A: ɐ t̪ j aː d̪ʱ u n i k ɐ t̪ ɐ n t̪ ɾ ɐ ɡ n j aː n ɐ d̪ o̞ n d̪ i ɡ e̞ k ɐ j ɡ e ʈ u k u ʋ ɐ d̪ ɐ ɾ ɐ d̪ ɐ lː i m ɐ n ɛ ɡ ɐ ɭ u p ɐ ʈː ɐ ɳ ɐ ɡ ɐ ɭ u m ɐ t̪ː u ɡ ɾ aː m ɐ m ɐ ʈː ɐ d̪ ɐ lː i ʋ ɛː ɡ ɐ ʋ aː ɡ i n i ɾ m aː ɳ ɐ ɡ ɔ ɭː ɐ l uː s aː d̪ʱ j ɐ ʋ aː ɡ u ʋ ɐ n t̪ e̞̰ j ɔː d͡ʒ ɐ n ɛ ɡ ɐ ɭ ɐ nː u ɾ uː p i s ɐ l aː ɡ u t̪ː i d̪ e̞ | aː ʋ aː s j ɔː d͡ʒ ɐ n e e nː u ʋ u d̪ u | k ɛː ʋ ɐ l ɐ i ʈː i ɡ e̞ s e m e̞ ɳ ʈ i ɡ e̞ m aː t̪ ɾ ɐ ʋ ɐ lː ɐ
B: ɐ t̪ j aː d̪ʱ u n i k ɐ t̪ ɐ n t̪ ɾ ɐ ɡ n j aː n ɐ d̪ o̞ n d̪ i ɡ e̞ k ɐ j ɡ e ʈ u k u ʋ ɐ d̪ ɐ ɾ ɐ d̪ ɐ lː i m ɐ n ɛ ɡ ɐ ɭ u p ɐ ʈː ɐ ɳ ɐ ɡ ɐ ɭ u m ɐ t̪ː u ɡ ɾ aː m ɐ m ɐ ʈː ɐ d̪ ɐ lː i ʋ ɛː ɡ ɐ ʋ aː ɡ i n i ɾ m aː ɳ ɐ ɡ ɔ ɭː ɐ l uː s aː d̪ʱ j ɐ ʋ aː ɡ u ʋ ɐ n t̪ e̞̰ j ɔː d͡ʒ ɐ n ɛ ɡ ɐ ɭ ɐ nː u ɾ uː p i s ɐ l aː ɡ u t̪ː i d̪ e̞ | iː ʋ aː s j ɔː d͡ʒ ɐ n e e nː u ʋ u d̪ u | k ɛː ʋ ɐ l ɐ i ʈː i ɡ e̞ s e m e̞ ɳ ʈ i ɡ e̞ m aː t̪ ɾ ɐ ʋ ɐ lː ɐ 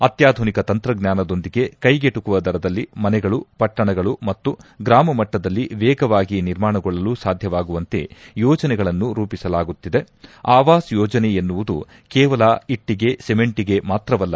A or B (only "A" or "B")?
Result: A